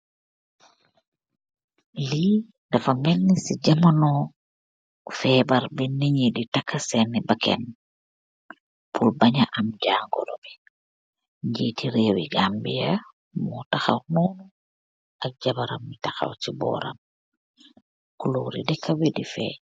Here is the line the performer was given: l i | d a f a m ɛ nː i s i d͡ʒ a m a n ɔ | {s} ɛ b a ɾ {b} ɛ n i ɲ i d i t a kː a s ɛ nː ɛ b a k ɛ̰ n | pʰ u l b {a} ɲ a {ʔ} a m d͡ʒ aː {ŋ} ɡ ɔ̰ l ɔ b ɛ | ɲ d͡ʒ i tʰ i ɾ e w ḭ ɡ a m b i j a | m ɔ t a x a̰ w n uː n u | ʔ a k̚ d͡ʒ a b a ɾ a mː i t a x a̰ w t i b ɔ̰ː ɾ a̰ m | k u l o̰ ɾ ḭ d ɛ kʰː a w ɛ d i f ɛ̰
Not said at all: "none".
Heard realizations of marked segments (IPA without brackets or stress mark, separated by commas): f, b, a, ʔ, ŋ